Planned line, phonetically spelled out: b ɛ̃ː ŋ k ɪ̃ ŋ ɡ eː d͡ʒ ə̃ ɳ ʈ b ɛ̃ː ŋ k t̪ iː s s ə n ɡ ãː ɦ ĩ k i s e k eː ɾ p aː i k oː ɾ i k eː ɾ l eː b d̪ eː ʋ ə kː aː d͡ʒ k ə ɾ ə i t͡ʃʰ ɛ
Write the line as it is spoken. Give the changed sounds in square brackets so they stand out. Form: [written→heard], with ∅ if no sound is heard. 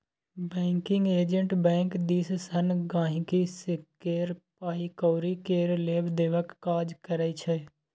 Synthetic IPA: b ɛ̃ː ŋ k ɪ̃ ŋ ɡ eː d͡ʒ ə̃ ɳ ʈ b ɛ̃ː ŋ k [t̪→d̪] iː s s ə n ɡ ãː ɦ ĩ k i s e k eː ɾ p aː i k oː ɾ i k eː ɾ l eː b d̪ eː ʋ ə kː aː d͡ʒ k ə ɾ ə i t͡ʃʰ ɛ

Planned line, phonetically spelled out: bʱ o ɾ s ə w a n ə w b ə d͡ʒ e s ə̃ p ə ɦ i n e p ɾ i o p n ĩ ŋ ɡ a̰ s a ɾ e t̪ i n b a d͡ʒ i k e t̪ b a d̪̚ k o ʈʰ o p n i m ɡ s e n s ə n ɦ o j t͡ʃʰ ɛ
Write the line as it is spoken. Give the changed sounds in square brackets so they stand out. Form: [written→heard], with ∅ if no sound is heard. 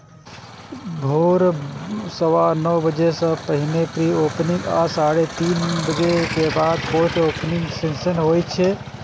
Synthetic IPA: bʱ o ɾ s ə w a n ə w b ə d͡ʒ e s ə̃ p ə ɦ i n e p ɾ i o p n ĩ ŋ ɡ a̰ s a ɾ e t̪ i n b [a→ə] d͡ʒ [i→e] k e [t̪→∅] b a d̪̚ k o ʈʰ o p n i [m→ŋ] ɡ s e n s ə n ɦ o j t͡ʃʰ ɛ

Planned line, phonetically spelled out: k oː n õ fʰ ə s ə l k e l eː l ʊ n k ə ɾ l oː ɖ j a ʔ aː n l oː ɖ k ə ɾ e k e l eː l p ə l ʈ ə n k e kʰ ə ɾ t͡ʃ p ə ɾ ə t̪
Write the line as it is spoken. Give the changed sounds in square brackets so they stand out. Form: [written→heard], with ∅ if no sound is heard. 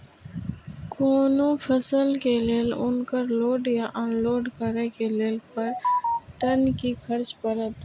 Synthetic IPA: k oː n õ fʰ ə s ə l k e l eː l ʊ n k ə ɾ l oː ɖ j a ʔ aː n l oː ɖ k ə ɾ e k e l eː l p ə [l→ɾ] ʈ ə n k [e→i] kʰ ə ɾ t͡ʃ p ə ɾ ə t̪

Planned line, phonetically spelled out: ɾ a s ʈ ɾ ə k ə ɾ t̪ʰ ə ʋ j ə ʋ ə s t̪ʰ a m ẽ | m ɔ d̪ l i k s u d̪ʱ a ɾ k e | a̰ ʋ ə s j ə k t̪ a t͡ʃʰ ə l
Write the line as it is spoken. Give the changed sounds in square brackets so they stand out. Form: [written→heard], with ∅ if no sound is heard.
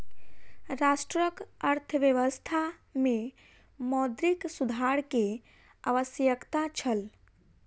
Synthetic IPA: ɾ a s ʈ ɾ ə k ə ɾ t̪ʰ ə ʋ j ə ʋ ə s t̪ʰ a m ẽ | m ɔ d̪ [l→ɾ] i k s u d̪ʱ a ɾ k e | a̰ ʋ ə s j ə k t̪ a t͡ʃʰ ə l

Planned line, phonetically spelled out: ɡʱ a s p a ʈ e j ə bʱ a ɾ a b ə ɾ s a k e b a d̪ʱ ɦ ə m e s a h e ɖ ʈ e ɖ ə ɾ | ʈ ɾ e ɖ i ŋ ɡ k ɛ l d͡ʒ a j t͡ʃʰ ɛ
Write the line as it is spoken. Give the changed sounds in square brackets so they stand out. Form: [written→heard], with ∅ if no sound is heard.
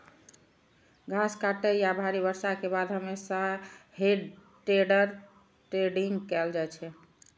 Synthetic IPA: ɡʱ a s [p→k] a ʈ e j [ə→a] bʱ a ɾ [a→i] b ə ɾ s a k e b a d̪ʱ ɦ ə m e s a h e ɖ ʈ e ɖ ə ɾ | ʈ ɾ e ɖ i ŋ ɡ k ɛ l d͡ʒ a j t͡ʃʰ ɛ

